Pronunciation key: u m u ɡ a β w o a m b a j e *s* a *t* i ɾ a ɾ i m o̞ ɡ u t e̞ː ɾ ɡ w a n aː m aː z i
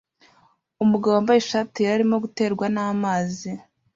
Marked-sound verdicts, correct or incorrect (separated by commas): incorrect, correct